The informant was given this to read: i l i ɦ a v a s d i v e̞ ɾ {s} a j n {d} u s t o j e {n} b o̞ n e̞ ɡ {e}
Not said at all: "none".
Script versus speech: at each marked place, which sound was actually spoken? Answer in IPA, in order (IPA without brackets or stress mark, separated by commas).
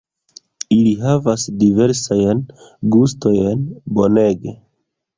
s, ɡ, n, e